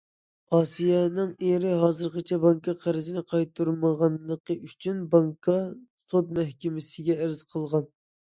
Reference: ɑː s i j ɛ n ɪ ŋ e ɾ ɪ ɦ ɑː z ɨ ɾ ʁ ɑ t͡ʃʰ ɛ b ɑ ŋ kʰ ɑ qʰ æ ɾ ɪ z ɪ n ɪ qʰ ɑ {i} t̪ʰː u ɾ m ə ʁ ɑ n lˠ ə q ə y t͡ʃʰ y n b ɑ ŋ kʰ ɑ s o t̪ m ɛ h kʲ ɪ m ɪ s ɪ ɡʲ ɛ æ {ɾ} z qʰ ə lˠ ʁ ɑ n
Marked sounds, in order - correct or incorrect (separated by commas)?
incorrect, correct